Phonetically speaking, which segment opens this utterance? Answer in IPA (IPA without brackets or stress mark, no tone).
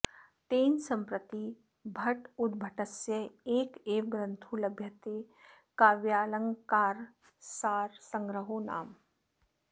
t̪